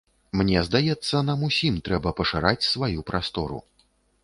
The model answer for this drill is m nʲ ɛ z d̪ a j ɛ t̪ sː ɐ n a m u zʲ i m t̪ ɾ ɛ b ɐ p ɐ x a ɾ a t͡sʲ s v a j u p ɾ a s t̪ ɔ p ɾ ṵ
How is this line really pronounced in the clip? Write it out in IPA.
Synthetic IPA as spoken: m nʲ ɛ z d̪ a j ɛ t̪ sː ɐ n a m u sʲ i m t̪ ɾ ɛ b ɐ p ɐ ʂ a ɾ a t͡sʲ s v a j u p ɾ a s t̪ ɔ ɾ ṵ

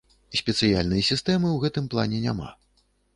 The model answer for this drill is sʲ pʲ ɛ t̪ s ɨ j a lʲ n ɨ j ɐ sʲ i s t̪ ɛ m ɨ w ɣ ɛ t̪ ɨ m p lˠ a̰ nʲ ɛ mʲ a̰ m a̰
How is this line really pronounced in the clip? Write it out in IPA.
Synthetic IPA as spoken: sʲ pʲ ɛ t̪ s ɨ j a lʲ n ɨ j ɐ sʲ i s t̪ ɛ m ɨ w ɣ ɛ t̪ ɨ m p lˠ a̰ nʲ ɛ nʲ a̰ m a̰

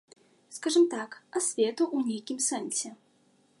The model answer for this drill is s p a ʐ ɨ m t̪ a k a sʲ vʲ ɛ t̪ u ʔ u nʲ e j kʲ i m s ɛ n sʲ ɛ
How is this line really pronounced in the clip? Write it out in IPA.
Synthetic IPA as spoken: s k a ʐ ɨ m t̪ a k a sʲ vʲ ɛ t̪ u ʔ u nʲ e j kʲ i m s ɛ n sʲ ɛ

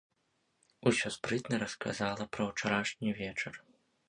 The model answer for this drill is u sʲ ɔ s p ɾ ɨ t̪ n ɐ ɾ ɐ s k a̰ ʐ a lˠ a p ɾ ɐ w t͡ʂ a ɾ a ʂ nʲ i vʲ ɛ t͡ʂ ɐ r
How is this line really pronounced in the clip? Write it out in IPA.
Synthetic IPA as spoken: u sʲ ɔ s p ɾ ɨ t̪ n ɐ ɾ ɐ s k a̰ z a lˠ ɐ p ɾ ɐ w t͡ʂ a ɾ a ʂ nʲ i vʲ ɛ t͡ʂ ɐ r

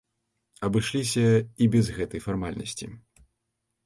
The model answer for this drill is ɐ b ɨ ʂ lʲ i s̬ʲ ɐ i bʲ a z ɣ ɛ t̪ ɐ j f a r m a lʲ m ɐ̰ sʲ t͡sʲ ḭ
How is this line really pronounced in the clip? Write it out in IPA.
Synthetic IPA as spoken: ɐ b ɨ ʂ lʲ i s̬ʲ ɐ i bʲ ɛ z ɣ ɛ t̪ ɐ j f a r m a lʲ n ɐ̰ sʲ t͡sʲ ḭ

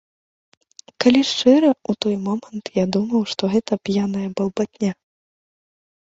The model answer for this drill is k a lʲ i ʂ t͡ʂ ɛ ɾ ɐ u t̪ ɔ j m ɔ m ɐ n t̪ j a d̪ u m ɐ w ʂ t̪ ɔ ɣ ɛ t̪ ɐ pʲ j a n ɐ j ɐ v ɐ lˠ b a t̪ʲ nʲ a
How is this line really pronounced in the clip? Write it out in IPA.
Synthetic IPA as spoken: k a lʲ i ʂ t͡ʂ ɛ ɾ ɐ u t̪ ɔ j m ɔ m ɐ n t̪ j a d̪ u m ɐ w ʂ t̪ ɔ ɣ ɛ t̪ ɐ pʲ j a n ɐ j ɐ b ɐ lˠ b a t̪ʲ nʲ a

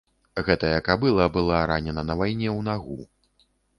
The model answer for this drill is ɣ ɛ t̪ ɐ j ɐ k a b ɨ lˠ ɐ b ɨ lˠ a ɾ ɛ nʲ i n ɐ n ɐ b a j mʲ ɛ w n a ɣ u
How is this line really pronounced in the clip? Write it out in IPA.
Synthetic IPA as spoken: ɣ ɛ t̪ ɐ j ɐ k a b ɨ lˠ ɐ b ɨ lˠ a ɾ a nʲ ɛ n ɐ n ɐ v a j nʲ ɛ w n a ɣ u

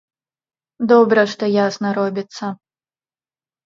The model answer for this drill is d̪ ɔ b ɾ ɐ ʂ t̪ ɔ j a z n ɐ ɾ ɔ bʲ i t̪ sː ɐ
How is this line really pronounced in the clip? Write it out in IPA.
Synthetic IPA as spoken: d̪ ɔ b ɾ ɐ ʂ t̪ ɔ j a s n ɐ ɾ ɔ bʲ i t̪ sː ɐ

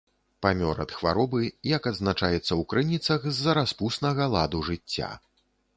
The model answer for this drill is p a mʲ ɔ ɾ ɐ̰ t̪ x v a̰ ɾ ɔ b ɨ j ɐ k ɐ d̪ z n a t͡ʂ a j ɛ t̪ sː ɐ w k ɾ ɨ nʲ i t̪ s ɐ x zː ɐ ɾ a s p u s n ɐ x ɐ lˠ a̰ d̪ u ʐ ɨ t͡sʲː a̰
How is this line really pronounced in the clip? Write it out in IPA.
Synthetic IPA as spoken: p a mʲ ɔ ɾ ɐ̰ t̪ x v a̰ ɾ ɔ b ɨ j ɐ k ɐ d̪ z n a t͡ʂ a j ɛ t̪ sː ɐ w k ɾ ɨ nʲ i t̪ s ɐ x zː ɐ ɾ a s p u s n ɐ ɣ ɐ lˠ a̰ d̪ u ʐ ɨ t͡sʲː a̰

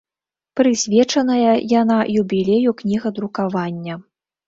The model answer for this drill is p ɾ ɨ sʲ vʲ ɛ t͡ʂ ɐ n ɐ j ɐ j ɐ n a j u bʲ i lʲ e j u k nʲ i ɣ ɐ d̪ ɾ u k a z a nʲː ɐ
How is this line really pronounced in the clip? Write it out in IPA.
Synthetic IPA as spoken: p ɾ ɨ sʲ vʲ ɛ t͡ʂ ɐ n ɐ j ɐ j a n a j u bʲ i lʲ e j u k nʲ i ɣ ɐ d̪ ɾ u k a v a nʲː ɐ

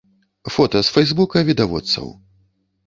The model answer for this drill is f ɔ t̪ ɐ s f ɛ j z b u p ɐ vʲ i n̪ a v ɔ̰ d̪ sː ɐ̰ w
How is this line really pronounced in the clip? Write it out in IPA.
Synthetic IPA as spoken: f ɔ t̪ ɐ s f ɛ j z b u k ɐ vʲ i d̪ a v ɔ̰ t̪ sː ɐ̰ w

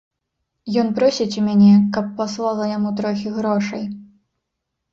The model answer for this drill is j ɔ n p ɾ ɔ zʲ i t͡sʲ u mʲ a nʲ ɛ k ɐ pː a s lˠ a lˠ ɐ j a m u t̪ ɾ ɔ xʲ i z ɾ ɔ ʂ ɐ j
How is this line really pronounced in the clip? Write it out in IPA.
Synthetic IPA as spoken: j ɔ n p ɾ ɔ sʲ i t͡sʲ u mʲ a nʲ ɛ k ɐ pː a s lˠ a lˠ ɐ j a m u t̪ ɾ ɔ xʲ i ɣ ɾ ɔ ʂ ɐ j

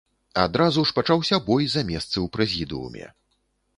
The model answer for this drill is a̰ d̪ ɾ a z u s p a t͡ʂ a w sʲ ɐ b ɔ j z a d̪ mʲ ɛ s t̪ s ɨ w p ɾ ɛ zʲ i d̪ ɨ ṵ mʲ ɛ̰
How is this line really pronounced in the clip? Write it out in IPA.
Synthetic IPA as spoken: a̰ d̪ ɾ a z u ʂ p a t͡ʂ a w sʲ ɐ b ɔ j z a mʲ ɛ s t̪ s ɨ w p ɾ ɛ zʲ i d̪ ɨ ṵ mʲ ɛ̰

